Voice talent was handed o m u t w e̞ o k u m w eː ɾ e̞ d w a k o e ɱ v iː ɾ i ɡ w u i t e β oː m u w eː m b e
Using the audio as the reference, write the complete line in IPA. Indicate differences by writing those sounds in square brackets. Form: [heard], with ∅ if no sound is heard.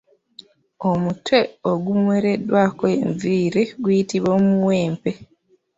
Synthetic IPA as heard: o m u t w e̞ o [ɡ] u m w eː ɾ e̞ d w a k o e ɱ v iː ɾ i ɡ w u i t [i] β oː m u w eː m [p] e